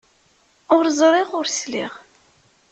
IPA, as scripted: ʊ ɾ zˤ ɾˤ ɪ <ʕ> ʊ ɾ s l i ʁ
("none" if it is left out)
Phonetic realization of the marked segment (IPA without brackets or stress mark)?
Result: ʁ